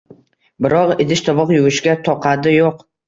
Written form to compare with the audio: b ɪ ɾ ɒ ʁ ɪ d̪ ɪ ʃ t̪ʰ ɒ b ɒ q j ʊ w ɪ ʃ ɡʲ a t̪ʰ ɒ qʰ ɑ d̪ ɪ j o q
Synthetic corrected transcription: b ɪ ɾ ɒ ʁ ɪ d̪ ɪ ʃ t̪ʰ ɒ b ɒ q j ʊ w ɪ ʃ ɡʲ a t̪ʰ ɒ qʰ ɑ d̪ ɪ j o q

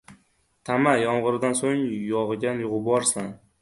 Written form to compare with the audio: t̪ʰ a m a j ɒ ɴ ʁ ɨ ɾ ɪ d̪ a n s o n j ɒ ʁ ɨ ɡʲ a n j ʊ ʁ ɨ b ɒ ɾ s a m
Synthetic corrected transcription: t̪ʰ a m a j ɒ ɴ ʁ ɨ ɾ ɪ d̪ a n s o ŋ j ɒ ʁ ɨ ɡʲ a n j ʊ ʁ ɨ b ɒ ɾ s a n

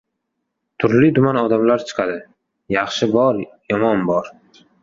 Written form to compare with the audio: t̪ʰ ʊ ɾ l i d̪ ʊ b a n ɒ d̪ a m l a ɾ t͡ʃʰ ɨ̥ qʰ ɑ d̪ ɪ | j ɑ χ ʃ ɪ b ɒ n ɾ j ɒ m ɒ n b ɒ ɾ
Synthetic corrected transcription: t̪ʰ ʊ ɾ l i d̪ ʊ m a n ɒ d̪ a m l a ɾ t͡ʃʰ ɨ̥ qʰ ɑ d̪ ɪ | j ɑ χ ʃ ɪ b ɒ ɾ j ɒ m ɒ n b ɒ ɾ

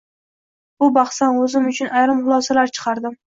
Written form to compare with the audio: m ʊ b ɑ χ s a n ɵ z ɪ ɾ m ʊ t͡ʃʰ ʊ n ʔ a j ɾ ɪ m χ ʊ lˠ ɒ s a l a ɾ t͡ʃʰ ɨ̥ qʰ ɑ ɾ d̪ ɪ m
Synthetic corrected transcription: b ʊ b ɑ χ s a n ɵ z ɪ m ʊ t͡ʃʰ ʊ n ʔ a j ɾ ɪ m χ ʊ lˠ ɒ s a l a ɾ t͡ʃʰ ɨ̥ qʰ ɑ ɾ d̪ ɪ m

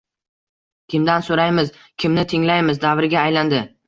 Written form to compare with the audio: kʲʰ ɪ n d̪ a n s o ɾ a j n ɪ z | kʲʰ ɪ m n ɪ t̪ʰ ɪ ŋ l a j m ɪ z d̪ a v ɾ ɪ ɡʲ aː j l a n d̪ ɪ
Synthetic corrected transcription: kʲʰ ɪ m d̪ a n s o ɾ a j m ɪ z | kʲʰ ɪ m n ɪ t̪ʰ ɪ ŋ l a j m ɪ z d̪ a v ɾ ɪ ɡʲ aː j l a n d̪ ɪ

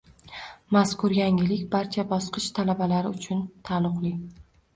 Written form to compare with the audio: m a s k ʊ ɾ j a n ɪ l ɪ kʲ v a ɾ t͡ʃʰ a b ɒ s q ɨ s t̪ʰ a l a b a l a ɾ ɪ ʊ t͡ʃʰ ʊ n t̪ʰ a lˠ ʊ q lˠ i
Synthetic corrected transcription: m a s k ʊ ɾ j a ŋ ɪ l ɪ kʲ b a ɾ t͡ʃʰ a b ɒ s q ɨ ʃ t̪ʰ a l a b a l a ɾ ɪ ʊ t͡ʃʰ ʊ n t̪ʰ a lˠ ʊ q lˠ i

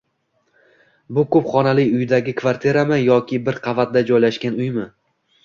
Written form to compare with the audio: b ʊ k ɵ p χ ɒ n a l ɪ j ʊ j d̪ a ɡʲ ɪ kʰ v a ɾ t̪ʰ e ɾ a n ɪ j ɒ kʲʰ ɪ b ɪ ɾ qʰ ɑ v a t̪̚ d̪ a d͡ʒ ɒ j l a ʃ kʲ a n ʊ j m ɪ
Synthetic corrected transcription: b ʊ k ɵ p χ ɒ n a l ɪ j ʊ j d̪ a ɡʲ ɪ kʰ v a ɾ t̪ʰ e ɾ a m ɪ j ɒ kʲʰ ɪ b ɪ ɾ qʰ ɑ v a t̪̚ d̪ a d͡ʒ ɒ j l a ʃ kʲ a n ʊ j m ɪ

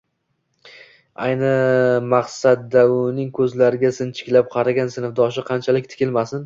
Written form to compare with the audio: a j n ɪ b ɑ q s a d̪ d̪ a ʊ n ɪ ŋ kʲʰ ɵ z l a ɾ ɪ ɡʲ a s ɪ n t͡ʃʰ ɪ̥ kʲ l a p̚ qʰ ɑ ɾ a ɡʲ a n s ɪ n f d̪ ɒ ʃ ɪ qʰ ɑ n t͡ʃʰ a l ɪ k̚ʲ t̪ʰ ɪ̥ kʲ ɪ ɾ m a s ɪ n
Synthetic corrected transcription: a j n ɪ m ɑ q s a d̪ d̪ a ʊ n ɪ ŋ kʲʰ ɵ z l a ɾ ɪ ɡʲ a s ɪ n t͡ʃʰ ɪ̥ kʲ l a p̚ qʰ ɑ ɾ a ɡʲ a n s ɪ n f d̪ ɒ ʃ ɪ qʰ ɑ n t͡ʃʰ a l ɪ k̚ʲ t̪ʰ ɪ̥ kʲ ɪ l m a s ɪ n

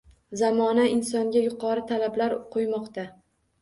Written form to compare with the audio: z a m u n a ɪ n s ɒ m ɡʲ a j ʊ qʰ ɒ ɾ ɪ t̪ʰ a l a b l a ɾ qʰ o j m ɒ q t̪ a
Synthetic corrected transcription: z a m ɒ n a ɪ n s ɒ ŋ ɡʲ a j ʊ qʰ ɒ ɾ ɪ t̪ʰ a l a b l a ɾ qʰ o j m ɒ q t̪ a

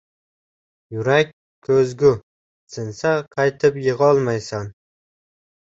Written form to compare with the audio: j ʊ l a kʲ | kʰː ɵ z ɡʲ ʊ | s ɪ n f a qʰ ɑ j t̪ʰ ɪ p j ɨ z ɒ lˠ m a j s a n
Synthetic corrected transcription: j ʊ ɾ a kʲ | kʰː ɵ z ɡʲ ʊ | s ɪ n s a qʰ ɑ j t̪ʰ ɪ p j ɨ ʁ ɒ lˠ m a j s a n

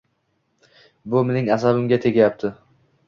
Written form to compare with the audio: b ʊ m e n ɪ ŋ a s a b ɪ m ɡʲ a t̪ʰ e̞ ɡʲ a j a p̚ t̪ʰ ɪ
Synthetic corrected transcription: b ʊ m e n ɪ ŋ a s a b ɪ m ɡʲ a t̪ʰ e̞ ɡʲ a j a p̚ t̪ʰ ɪ

